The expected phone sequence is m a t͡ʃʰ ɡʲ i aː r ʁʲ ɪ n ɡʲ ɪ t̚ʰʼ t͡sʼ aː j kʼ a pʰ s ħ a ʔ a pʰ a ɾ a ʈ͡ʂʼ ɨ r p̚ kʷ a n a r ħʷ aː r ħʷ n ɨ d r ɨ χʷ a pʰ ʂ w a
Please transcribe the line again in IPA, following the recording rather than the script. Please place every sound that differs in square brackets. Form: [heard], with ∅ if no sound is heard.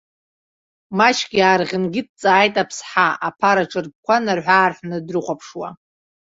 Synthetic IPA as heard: m a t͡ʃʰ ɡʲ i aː r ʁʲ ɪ n ɡʲ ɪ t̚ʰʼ t͡sʼ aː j [tʼ] a pʰ s ħ a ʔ a pʰ a ɾ a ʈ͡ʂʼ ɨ r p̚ kʷ a n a r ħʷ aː r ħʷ n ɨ d r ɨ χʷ a pʰ ʂ w a